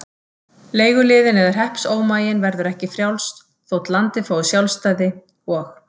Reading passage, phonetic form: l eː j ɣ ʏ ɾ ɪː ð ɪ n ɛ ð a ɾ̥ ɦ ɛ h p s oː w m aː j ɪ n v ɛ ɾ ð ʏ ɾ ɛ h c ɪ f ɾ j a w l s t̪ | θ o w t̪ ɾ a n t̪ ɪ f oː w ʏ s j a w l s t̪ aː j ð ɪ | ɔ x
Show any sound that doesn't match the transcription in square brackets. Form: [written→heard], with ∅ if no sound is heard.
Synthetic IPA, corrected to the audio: l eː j ɣ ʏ [ɾ→l] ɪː ð ɪ n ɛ ð a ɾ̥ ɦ ɛ h p s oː w m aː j ɪ n v ɛ ɾ ð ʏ ɾ ɛ h c ɪ f ɾ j a w l s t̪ | θ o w t̪ [ɾ→l] a n t̪ ɪ f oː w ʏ s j a w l s t̪ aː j ð ɪ | ɔ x